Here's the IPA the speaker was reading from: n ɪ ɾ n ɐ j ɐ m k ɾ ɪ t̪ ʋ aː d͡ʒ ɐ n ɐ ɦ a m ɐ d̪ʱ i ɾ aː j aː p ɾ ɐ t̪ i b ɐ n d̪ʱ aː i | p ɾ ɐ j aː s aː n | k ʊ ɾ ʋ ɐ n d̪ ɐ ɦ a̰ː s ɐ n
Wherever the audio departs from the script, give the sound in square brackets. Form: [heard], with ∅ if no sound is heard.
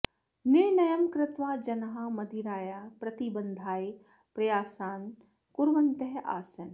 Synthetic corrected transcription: n ɪ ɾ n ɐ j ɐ m k ɾ ɪ t̪ ʋ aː d͡ʒ ɐ n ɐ ɦ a m ɐ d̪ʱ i ɾ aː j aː p ɾ ɐ t̪ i b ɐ n d̪ʱ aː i | p ɾ ɐ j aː s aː n | k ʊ ɾ ʋ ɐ n [t̪] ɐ ɦ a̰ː s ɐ n